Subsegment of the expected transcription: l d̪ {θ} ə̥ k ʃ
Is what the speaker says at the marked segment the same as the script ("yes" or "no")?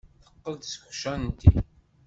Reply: no